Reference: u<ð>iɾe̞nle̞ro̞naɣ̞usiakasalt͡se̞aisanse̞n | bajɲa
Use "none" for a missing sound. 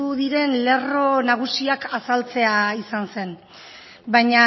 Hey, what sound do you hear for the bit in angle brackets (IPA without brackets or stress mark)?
ð